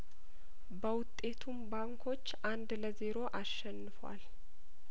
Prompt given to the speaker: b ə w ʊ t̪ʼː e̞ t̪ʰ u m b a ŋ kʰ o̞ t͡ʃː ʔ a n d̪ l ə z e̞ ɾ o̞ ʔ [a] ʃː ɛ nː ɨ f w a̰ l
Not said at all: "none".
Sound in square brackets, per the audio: a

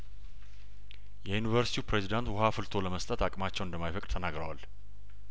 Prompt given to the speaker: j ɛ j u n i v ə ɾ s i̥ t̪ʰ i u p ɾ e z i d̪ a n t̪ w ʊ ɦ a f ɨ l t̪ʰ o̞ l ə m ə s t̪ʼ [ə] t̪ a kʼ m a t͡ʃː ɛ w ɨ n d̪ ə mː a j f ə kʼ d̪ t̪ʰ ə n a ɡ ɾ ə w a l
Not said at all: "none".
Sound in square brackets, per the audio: ə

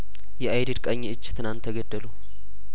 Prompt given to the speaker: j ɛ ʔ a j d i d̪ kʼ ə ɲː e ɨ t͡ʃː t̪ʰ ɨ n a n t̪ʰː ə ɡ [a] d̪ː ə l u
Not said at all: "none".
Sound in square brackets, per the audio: ə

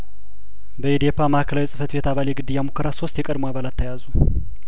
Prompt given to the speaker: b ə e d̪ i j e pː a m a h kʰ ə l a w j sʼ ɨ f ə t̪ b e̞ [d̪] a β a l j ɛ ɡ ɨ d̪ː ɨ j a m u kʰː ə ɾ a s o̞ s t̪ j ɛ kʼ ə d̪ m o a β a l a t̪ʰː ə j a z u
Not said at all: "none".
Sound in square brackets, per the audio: t̪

